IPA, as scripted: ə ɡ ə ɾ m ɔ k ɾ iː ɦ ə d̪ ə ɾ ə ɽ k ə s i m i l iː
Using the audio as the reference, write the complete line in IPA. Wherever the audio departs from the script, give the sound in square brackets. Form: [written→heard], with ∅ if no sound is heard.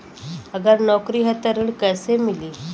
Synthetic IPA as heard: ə ɡ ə ɾ [m→n] ɔ k ɾ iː ɦ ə [d̪→t̪] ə ɾ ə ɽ k ə s [i→e] m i l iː